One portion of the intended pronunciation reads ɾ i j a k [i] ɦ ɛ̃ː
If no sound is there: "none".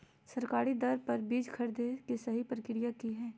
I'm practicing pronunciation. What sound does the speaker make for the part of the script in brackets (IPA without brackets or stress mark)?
i